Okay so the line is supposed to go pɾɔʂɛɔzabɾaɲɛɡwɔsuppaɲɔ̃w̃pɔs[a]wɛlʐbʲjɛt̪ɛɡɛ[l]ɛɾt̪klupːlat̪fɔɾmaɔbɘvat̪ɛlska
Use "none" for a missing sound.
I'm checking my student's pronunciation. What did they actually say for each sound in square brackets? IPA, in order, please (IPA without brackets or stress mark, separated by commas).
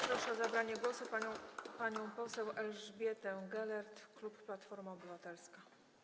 ɛ, l